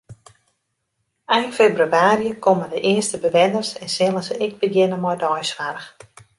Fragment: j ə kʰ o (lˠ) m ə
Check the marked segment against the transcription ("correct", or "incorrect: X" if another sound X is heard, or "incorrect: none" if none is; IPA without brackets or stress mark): incorrect: none